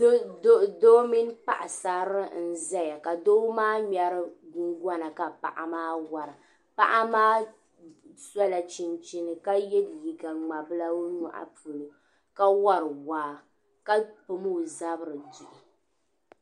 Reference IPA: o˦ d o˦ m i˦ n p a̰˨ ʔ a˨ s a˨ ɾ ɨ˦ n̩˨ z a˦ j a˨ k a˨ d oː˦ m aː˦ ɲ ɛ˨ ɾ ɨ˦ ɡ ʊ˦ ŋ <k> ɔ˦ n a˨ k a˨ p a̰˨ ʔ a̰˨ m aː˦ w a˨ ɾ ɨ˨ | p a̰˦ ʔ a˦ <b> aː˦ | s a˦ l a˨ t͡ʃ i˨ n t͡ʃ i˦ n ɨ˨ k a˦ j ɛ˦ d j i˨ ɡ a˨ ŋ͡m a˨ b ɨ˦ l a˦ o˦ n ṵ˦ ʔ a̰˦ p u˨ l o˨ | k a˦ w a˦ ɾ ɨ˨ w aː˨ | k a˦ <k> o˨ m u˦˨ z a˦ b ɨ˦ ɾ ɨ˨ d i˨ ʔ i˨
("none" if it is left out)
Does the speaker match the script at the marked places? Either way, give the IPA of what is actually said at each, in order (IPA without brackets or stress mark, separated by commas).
ɡ, m, p